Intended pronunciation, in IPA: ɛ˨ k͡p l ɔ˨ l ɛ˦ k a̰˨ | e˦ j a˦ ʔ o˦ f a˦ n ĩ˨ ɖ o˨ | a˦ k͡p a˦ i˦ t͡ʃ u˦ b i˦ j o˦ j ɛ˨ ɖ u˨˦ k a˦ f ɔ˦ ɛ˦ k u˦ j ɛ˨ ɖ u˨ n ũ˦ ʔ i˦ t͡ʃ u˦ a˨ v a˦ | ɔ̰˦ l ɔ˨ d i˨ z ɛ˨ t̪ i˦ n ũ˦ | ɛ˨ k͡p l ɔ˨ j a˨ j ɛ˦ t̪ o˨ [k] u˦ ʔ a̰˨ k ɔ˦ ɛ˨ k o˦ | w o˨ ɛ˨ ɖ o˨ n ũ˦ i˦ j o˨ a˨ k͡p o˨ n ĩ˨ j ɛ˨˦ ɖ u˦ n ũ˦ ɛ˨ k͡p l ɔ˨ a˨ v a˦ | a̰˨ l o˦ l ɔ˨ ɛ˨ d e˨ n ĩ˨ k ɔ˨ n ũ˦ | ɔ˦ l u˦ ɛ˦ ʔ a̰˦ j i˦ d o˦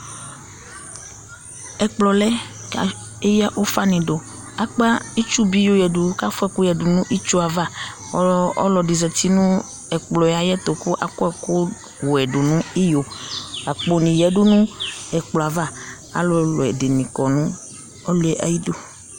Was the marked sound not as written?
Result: no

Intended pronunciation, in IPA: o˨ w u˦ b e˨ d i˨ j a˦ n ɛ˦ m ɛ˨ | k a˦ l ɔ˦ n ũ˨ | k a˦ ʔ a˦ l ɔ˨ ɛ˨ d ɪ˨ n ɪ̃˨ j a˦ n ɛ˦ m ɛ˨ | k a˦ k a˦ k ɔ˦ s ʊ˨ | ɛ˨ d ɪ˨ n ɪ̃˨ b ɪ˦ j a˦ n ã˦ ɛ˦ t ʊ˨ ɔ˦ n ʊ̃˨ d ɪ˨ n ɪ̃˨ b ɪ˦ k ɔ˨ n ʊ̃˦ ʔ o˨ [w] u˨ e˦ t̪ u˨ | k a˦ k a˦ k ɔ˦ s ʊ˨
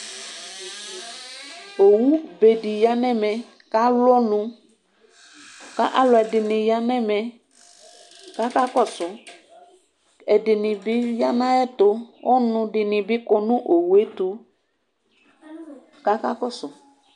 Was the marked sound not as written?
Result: no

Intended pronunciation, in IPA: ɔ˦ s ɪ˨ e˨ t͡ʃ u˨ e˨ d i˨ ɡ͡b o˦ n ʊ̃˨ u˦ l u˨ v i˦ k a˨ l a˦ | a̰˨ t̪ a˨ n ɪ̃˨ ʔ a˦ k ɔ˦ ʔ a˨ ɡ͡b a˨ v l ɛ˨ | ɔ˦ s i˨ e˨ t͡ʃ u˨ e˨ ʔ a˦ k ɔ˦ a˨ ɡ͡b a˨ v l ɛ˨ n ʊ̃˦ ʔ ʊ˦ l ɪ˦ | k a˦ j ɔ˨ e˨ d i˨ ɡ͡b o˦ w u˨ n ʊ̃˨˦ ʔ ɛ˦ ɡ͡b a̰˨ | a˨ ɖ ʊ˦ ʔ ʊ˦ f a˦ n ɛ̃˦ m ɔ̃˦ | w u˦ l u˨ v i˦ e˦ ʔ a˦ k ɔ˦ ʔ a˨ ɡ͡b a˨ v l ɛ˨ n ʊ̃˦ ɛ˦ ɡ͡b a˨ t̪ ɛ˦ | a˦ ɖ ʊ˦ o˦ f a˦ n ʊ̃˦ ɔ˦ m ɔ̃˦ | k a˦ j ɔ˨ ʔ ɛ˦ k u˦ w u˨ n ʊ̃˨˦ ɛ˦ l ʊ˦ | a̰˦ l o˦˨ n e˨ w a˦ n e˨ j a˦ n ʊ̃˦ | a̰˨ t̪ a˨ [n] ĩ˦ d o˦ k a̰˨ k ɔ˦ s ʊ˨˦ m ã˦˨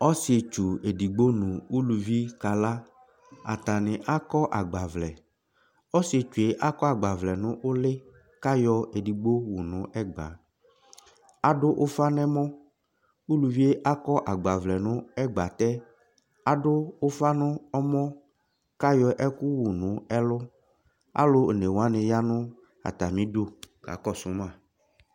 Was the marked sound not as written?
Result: yes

